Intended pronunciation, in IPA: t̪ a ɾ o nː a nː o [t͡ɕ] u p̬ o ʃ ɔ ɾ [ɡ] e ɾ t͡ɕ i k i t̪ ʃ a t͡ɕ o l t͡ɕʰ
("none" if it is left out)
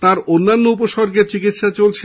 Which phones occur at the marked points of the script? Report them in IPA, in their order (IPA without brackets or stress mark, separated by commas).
none, ɡ